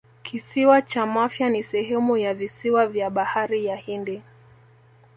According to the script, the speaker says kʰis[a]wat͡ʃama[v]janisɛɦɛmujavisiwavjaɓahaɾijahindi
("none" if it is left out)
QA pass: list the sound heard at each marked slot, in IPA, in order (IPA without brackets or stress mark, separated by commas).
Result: i, f